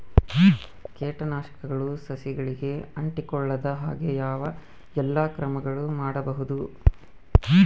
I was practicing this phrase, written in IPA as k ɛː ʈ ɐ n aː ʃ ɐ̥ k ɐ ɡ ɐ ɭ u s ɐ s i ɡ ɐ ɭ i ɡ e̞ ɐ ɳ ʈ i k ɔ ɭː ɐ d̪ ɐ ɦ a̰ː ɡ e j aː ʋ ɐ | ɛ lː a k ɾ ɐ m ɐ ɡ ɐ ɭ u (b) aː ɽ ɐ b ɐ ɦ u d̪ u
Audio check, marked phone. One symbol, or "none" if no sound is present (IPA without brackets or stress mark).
m